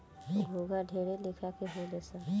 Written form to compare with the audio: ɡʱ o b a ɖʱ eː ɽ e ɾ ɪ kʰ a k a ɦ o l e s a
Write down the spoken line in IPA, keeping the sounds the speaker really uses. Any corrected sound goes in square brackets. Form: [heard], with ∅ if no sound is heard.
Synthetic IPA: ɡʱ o [ɡ] a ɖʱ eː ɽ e [l] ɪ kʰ a k [e] ɦ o l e s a